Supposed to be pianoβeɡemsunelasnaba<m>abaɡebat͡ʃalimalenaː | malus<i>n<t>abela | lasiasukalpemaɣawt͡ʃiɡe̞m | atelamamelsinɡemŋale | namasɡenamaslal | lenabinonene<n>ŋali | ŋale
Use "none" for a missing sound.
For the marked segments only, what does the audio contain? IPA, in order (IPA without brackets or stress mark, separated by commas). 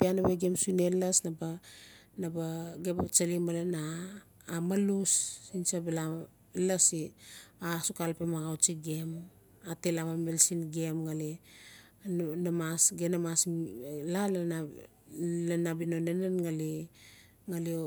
n, i, s, n